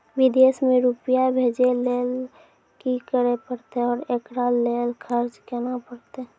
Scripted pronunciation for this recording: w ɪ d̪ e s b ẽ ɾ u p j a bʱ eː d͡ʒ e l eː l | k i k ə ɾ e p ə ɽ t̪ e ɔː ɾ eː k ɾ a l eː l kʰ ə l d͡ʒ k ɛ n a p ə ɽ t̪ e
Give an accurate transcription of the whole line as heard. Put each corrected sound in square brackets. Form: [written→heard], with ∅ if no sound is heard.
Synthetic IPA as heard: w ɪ d̪ e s [b→m] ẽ ɾ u p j a bʱ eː d͡ʒ e l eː l | k i k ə ɾ e p ə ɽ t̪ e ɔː ɾ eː k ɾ a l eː l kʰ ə [l→ɾ] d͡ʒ k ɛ n a p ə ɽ t̪ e